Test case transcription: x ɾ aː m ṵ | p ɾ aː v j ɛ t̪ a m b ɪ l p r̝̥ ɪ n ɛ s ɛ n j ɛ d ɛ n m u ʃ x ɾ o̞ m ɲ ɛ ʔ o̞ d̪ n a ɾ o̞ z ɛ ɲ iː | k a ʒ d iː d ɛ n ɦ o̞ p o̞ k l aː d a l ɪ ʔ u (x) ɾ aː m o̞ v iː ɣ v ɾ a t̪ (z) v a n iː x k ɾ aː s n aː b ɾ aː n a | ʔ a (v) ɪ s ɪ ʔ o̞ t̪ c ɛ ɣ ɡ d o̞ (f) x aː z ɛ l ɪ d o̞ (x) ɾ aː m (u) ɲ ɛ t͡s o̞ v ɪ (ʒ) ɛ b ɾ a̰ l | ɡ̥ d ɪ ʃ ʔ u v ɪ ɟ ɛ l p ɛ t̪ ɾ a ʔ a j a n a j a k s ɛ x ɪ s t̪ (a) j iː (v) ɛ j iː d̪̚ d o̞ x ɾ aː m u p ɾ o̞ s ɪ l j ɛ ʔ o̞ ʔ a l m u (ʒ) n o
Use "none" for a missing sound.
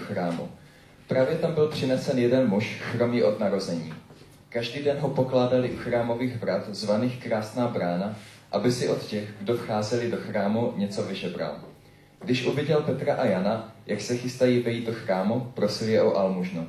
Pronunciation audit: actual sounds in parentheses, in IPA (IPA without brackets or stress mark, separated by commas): x, z, b, f, x, u, ʒ, a, v, ʒ